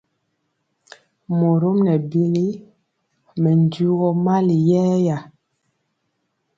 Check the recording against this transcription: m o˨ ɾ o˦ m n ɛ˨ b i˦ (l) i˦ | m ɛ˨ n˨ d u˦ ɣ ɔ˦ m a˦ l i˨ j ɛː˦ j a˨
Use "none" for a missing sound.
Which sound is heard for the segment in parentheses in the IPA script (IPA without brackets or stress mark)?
l